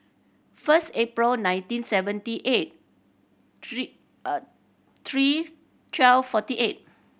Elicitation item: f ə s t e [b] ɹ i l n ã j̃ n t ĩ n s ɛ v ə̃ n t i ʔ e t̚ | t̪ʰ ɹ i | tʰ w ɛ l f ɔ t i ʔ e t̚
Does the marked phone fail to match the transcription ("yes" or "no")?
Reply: yes